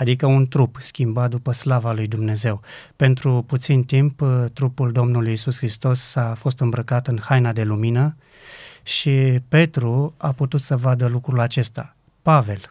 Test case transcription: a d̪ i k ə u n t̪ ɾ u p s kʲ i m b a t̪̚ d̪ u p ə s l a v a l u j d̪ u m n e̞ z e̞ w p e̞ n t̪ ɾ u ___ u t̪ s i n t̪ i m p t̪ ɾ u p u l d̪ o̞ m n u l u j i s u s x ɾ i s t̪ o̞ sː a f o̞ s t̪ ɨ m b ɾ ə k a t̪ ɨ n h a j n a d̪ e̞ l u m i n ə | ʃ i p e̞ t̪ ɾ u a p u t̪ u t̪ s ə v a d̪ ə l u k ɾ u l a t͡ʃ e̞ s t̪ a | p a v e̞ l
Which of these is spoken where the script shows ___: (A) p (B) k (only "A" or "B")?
A